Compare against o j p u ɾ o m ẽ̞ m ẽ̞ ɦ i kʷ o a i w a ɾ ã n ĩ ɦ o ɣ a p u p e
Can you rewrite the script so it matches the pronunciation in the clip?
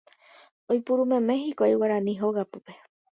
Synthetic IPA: o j p u ɾ u m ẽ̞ m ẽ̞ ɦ i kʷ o a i w a ɾ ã n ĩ ɦ o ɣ a p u p e